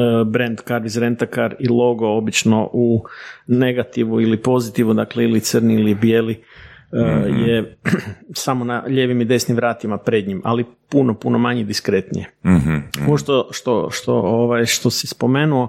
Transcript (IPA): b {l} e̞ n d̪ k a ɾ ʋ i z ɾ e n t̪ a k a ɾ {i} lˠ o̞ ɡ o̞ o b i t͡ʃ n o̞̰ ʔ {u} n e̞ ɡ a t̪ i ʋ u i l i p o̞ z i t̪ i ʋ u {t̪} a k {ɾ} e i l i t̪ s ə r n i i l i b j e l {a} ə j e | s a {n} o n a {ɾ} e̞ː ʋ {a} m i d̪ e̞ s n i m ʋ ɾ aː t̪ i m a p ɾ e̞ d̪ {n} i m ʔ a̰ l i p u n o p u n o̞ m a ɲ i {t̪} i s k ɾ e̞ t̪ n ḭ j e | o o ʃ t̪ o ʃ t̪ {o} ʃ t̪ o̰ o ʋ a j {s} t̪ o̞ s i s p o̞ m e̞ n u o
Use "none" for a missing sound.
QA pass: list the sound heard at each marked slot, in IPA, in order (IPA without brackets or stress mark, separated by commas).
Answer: ɾ, i, u, d̪, l, i, m, ʎ, i, ɲ, d̪, o, ʃ